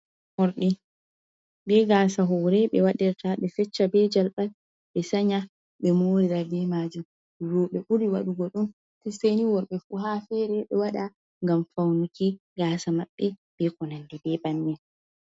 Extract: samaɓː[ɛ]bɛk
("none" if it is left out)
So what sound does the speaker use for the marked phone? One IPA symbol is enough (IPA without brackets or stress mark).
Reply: ɛ